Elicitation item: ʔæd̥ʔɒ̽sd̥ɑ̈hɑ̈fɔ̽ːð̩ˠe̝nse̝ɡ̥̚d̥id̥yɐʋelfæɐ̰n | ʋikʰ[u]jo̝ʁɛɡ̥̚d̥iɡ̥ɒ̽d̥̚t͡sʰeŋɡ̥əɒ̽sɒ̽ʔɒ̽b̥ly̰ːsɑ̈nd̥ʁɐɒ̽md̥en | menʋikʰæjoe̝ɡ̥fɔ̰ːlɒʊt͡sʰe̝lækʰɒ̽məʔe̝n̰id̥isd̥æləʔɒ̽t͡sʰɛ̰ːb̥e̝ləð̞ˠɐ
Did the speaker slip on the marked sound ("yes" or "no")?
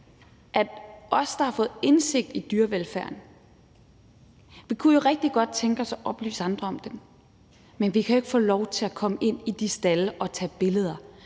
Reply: no